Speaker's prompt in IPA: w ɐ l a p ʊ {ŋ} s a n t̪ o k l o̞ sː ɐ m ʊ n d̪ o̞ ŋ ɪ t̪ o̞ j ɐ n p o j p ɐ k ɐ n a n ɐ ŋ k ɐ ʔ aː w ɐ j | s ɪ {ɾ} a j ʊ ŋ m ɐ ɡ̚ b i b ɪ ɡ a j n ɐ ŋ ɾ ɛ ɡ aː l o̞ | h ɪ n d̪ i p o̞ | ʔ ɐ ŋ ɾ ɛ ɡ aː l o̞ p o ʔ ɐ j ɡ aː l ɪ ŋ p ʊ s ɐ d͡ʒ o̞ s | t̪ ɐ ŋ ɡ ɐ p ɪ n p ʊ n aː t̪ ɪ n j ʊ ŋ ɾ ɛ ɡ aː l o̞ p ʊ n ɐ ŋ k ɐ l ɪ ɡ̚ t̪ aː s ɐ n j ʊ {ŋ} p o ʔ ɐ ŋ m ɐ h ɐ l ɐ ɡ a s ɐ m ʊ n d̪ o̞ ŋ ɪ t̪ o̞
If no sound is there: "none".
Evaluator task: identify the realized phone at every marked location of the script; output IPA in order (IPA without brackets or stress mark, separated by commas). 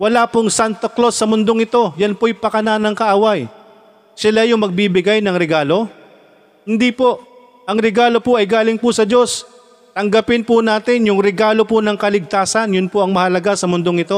ŋ, l, n